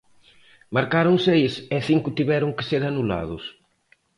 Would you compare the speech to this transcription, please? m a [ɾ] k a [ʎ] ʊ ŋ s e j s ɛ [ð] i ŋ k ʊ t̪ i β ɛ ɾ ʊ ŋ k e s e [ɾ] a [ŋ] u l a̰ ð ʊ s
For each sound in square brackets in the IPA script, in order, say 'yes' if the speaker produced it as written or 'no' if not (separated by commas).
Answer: yes, no, no, yes, no